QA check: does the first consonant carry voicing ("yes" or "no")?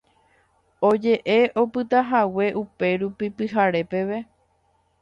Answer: yes